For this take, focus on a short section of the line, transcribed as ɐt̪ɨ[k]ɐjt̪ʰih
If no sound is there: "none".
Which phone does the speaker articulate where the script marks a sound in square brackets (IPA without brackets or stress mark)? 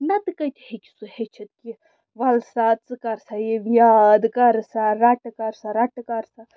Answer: k